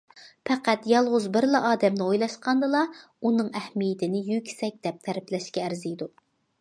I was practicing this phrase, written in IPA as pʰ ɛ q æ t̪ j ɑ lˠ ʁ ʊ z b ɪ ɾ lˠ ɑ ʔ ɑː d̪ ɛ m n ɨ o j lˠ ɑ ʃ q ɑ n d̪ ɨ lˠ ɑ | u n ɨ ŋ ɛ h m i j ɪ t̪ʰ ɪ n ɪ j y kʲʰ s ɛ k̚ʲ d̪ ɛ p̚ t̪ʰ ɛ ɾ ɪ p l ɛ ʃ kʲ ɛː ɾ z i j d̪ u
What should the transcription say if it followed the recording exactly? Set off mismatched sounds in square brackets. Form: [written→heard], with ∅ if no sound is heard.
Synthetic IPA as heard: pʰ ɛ q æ t̪ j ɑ lˠ ʁ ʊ z b ɪ ɾ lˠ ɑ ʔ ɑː d̪ ɛ m n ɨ o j lˠ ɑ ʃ q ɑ n d̪ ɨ lˠ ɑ | u n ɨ ŋ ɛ h m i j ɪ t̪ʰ ɪ n ɪ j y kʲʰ s ɛ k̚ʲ d̪ ɛ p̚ t̪ʰ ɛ ɾ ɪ p l ɛ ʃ kʲ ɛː ɾ z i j d̪ u